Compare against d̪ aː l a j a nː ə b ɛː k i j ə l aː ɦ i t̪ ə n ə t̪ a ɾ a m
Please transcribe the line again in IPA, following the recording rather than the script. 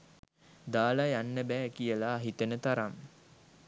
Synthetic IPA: d̪ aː l a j a nː ə b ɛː k i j ə l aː ɦ i t̪ ə n ə t̪ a ɾ a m